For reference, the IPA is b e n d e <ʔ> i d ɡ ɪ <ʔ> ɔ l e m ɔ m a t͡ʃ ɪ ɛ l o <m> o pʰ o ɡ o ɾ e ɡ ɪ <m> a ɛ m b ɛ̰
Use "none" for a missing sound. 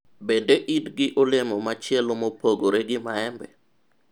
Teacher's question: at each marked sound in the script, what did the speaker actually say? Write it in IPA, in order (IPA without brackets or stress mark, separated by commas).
ʔ, ʔ, m, m